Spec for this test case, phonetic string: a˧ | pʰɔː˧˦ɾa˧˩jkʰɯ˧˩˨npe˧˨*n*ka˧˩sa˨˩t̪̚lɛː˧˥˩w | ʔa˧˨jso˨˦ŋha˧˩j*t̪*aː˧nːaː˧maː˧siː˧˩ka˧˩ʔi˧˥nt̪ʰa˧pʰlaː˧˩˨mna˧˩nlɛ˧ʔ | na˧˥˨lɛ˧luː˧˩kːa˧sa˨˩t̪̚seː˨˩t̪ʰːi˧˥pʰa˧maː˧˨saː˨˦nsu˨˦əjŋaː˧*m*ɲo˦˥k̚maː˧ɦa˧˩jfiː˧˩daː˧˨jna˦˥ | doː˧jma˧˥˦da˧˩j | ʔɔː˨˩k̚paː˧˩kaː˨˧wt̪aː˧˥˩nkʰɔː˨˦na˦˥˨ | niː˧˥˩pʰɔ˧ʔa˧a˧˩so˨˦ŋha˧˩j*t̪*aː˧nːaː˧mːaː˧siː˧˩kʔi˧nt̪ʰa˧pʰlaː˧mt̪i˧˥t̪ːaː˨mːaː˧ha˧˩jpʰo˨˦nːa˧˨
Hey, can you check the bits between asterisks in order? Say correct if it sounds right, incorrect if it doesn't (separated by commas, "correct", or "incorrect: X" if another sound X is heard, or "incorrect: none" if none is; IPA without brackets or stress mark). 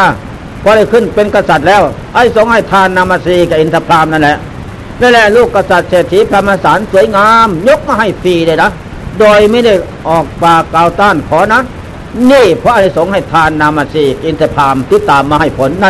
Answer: correct, incorrect: t̪ʰ, correct, incorrect: t̪ʰ